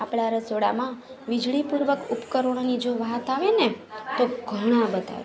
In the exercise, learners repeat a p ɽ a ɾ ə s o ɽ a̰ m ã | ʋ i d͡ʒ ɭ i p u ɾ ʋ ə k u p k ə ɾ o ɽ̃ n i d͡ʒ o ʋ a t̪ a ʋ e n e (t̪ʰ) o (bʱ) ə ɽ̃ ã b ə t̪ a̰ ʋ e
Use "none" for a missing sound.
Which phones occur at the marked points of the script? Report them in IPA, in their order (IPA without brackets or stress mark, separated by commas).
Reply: t̪, ɡʱ